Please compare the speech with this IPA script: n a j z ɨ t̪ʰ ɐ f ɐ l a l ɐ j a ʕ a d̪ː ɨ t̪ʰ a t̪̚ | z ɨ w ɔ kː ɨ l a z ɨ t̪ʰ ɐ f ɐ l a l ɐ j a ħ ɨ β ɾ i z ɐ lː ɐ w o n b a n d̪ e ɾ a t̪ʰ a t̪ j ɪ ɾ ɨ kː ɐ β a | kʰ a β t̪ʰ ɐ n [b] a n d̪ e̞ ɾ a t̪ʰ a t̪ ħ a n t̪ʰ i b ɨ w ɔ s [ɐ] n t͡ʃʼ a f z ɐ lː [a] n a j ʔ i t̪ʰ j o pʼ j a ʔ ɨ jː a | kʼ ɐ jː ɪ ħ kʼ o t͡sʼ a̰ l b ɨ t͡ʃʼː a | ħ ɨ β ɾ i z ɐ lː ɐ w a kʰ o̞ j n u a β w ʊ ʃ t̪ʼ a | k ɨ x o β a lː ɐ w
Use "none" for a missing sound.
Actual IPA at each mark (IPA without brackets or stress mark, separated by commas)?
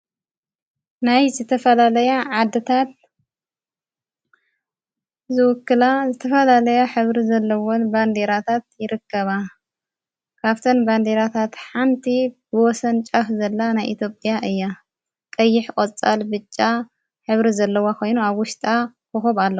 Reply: b, ɐ, a